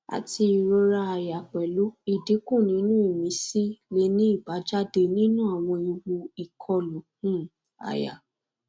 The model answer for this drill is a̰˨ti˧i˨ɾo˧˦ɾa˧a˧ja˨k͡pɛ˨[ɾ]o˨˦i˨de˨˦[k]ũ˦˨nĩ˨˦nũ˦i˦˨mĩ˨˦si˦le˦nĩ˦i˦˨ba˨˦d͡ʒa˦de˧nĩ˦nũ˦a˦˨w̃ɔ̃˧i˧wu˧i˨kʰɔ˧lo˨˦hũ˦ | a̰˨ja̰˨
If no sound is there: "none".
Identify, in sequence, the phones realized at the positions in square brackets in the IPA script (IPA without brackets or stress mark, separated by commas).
l, k